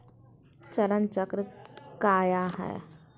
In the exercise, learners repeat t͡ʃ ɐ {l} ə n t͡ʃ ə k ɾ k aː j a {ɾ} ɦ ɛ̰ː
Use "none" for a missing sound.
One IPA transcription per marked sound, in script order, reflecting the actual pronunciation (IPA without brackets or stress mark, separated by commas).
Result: ɾ, none